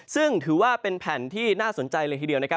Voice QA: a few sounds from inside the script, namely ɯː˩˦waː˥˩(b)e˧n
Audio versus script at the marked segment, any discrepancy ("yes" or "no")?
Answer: yes